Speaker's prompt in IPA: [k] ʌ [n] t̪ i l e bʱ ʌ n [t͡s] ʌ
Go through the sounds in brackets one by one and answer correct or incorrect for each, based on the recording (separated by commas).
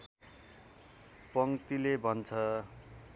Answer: incorrect, incorrect, incorrect